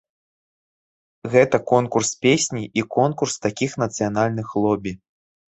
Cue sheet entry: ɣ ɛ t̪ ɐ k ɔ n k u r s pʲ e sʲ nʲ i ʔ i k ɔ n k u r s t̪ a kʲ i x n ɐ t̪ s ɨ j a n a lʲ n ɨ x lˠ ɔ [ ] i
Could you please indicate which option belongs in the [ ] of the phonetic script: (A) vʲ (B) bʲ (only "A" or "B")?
B